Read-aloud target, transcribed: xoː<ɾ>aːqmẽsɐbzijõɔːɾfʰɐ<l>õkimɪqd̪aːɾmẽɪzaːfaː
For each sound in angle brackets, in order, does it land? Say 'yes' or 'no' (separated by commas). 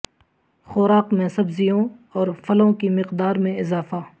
yes, yes